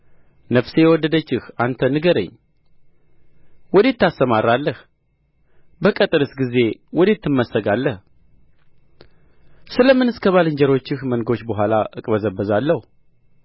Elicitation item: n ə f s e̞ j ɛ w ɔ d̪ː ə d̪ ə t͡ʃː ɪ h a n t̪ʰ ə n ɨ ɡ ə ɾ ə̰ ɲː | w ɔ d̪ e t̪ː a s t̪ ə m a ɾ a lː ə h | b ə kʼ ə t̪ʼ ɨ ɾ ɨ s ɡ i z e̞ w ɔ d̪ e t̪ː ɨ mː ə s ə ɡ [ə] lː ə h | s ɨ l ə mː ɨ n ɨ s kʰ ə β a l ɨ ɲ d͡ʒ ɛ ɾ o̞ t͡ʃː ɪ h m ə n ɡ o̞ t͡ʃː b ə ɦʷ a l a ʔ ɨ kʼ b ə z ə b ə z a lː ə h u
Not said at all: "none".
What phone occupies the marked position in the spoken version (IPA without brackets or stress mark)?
a